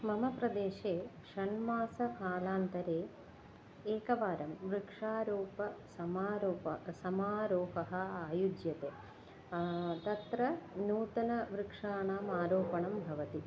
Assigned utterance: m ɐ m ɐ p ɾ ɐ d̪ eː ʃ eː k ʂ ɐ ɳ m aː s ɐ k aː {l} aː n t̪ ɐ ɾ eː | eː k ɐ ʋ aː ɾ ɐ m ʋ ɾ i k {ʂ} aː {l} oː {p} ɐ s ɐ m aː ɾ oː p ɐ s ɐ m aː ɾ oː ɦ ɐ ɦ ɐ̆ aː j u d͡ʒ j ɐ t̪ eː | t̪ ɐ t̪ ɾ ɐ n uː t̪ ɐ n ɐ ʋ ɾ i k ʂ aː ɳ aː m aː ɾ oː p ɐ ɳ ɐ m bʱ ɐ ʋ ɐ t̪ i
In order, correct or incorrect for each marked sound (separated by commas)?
correct, correct, incorrect, correct